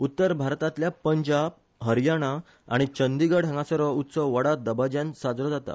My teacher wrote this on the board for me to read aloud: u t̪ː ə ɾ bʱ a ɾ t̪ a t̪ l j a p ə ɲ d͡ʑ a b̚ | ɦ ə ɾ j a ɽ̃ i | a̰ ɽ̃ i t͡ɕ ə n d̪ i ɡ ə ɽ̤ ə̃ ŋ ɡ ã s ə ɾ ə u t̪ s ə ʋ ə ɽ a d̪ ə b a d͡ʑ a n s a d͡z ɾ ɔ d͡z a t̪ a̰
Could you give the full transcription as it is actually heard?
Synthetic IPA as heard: u t̪ː ə ɾ bʱ a ɾ t̪ a t̪ l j a p ə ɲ d͡ʑ a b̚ | ɦ ə ɾ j a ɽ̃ a | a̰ ɽ̃ i t͡ɕ ə n d̪ i ɡ ə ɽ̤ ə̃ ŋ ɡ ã s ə ɾ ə u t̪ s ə ʋ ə ɽ a d̪ ə b a d͡ʑ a n s a d͡z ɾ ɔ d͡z a t̪ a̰